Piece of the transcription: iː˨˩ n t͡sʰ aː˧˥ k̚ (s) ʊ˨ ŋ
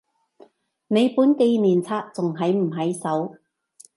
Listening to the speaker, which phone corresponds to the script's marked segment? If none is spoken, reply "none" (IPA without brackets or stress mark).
t͡s